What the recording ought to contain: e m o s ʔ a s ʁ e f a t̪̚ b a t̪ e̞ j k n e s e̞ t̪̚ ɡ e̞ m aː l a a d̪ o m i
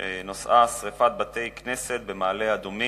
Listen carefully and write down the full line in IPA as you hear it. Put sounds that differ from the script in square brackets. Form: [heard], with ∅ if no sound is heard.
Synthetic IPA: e [n] o s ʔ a s ʁ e f a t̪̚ b a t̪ e̞ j k n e s e̞ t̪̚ [b] e̞ m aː l [e] a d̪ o m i